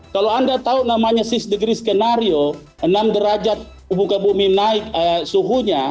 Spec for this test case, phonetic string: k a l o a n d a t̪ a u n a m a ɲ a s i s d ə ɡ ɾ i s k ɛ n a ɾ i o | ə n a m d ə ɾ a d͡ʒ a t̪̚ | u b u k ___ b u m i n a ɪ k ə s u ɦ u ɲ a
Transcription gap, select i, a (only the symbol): a